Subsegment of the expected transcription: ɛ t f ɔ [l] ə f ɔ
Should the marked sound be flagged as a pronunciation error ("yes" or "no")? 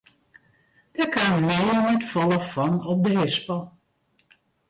no